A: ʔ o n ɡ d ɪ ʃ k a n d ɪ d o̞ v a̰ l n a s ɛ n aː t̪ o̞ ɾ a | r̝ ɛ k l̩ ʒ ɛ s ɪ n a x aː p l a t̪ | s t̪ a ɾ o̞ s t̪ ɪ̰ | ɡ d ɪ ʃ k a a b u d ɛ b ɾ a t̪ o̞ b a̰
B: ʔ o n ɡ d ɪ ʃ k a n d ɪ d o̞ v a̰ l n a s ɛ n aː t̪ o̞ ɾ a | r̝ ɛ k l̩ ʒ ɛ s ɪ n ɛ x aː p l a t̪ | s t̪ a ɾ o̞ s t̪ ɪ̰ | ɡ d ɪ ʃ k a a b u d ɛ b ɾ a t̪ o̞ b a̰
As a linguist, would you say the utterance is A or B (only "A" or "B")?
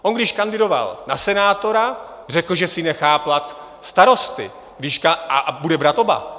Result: B